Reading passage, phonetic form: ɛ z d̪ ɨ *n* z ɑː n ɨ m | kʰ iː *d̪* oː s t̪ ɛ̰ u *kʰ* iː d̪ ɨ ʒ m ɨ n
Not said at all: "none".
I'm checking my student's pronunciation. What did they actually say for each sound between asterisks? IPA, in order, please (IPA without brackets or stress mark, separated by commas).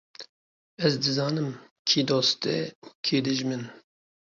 none, d̪, kʰ